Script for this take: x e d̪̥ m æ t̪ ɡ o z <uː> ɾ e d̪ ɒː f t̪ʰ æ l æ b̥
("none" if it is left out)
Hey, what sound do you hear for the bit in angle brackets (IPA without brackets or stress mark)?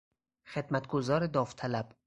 ɒː